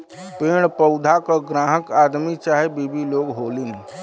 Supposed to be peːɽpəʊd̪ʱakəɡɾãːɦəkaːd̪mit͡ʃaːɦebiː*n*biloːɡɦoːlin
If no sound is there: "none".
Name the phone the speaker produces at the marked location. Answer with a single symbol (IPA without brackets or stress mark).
none